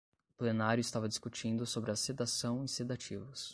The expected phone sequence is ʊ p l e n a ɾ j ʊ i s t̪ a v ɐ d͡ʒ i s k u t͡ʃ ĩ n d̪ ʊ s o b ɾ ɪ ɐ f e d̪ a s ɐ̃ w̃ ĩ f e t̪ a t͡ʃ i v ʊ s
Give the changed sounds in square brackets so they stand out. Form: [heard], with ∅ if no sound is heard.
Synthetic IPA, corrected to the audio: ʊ p l e n a ɾ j ʊ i s t̪ a v ɐ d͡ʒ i s k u t͡ʃ ĩ n d̪ ʊ s o b ɾ ɪ ɐ [s] e d̪ a s ɐ̃ w̃ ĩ [s] e [d̪] a t͡ʃ i v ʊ s